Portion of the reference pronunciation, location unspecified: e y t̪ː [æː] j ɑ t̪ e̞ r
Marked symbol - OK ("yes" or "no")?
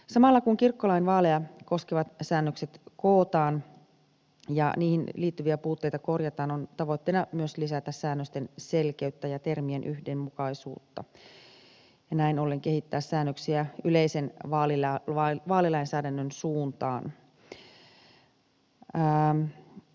no